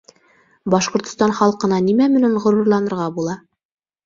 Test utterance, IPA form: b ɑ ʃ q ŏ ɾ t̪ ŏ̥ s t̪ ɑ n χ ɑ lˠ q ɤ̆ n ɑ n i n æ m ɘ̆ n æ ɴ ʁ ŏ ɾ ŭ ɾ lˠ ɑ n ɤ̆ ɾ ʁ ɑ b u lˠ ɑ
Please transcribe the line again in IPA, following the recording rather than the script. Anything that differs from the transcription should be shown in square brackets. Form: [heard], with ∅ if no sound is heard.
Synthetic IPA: b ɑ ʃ q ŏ ɾ t̪ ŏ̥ s t̪ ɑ n χ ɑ lˠ q ɤ̆ n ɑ n i [m] æ m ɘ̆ n æ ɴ ʁ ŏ ɾ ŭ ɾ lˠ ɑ n ɤ̆ ɾ ʁ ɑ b u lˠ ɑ